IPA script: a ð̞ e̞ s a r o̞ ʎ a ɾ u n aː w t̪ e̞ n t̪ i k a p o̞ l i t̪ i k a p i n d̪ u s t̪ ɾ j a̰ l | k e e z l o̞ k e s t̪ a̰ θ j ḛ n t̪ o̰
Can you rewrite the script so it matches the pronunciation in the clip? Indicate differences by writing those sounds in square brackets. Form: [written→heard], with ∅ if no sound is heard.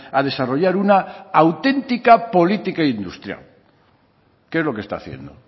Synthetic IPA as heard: a ð̞ e̞ s a r o̞ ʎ a ɾ u n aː w t̪ e̞ n t̪ i k a p o̞ l i t̪ i k a [p→∅] i n d̪ u s t̪ ɾ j a̰ l | k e e z l o̞ k e s t̪ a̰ θ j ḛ n [t̪→d̪] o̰